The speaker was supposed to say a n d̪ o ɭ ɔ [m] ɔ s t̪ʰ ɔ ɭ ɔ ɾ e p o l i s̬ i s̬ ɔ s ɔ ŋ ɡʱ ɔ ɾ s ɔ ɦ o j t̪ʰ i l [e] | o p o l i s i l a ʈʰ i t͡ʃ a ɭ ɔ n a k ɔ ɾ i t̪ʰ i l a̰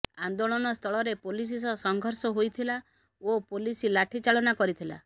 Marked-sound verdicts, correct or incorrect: incorrect, incorrect

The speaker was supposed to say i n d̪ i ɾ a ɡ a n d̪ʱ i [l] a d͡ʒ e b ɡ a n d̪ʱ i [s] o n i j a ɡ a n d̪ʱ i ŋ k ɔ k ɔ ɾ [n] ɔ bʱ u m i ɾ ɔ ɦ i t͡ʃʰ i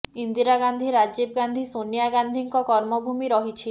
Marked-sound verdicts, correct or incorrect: incorrect, correct, incorrect

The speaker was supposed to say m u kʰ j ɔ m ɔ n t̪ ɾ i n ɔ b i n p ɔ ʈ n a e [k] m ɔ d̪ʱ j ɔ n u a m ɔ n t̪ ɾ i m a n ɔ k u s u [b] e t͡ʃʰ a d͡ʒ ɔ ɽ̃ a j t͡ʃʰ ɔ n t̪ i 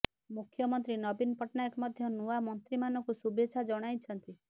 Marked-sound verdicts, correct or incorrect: correct, correct

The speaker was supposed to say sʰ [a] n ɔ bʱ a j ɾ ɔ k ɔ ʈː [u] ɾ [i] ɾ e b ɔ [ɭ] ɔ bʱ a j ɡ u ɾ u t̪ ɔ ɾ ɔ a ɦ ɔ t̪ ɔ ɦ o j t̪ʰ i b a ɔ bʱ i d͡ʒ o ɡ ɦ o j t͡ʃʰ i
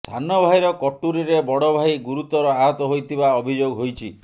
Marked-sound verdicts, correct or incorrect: correct, correct, correct, incorrect

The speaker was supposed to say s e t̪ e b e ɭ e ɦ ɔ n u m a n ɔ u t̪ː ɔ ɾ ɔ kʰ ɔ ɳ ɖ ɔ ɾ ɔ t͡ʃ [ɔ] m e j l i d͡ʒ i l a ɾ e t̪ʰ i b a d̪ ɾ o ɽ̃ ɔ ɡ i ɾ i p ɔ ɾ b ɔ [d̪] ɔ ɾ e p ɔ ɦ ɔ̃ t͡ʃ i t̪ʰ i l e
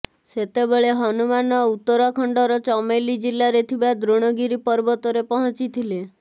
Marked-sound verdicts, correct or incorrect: correct, incorrect

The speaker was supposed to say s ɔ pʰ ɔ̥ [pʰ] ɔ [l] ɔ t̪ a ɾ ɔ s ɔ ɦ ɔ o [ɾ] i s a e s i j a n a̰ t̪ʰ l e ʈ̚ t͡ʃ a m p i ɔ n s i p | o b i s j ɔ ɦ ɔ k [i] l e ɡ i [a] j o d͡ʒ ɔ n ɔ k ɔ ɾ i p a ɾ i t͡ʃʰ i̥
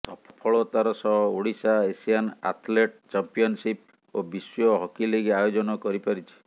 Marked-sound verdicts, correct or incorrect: correct, incorrect, incorrect, correct, correct

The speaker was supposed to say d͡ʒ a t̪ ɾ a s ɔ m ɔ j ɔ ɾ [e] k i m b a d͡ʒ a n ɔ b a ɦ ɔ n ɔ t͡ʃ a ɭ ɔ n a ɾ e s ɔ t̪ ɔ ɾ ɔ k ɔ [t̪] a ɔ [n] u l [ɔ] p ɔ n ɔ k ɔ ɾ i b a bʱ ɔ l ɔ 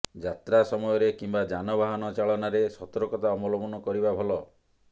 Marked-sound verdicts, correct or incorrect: correct, correct, incorrect, correct

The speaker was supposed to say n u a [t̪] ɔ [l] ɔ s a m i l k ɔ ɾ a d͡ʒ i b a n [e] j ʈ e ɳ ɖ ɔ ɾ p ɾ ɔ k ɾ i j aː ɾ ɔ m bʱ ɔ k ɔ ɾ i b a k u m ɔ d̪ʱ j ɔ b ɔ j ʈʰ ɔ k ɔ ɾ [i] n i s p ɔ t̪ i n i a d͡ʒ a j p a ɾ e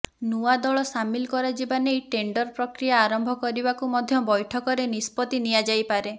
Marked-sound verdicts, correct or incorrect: incorrect, incorrect, correct, incorrect

